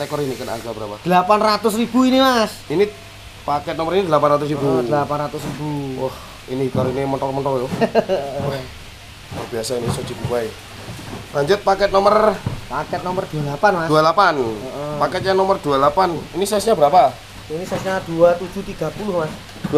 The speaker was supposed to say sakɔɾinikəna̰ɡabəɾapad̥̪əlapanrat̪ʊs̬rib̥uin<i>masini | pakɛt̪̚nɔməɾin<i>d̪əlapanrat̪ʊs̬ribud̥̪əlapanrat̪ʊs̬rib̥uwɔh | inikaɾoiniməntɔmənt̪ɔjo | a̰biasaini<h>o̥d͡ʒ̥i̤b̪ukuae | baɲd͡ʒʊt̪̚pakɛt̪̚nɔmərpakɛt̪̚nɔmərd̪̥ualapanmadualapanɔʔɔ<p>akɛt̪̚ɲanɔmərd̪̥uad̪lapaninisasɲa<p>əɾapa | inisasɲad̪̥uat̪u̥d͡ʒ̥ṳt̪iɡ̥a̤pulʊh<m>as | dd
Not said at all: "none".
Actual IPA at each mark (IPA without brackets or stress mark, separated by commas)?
i, i, s, p, b, m